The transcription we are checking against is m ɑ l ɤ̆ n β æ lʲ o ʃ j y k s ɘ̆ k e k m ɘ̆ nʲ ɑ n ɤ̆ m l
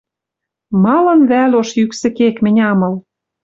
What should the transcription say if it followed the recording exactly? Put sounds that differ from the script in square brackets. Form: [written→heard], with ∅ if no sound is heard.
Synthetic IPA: m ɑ l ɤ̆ n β æ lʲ o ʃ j y k s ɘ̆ k e k m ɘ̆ nʲ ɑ [n→m] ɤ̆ [m→∅] l